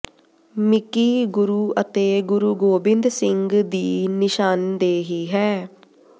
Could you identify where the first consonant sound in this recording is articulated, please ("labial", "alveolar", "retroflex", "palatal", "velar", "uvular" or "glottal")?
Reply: labial